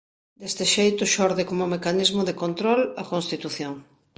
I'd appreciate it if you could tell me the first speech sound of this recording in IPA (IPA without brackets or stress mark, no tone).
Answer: d̪